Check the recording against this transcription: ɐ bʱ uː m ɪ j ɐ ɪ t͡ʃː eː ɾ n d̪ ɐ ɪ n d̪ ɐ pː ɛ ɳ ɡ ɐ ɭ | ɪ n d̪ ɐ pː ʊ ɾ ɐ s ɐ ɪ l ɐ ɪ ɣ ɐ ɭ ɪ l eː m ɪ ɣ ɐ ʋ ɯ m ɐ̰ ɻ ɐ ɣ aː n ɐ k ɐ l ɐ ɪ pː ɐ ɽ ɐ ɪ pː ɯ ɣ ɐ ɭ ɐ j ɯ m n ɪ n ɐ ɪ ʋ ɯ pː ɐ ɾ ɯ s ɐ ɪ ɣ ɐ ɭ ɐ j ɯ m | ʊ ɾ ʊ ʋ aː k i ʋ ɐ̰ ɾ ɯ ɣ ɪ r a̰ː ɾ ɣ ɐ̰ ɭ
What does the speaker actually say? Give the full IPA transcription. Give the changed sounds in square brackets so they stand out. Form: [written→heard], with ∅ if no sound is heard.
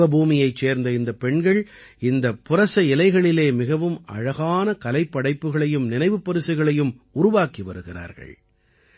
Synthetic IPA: ɐ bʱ uː m ɪ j ɐ ɪ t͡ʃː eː ɾ n d̪ ɐ ɪ n d̪ ɐ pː ɛ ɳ ɡ ɐ ɭ | ɪ n d̪ ɐ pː ʊ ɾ ɐ s ɐ ɪ l ɐ ɪ ɣ ɐ ɭ ɪ l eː m ɪ ɣ ɐ ʋ ɯ m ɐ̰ ɻ ɐ ɣ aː n ɐ k ɐ l ɐ ɪ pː ɐ ɽ ɐ ɪ pː ɯ ɣ ɐ ɭ ɐ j ɯ m n ɪ n ɐ ɪ ʋ ɯ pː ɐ ɾ ɯ s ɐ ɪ ɣ ɐ ɭ ɐ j ɯ m | ʊ ɾ ʊ ʋ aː k i ʋ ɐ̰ ɾ ɯ ɣ ɪ r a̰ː ɾ ɣ ɐ̰ ɭ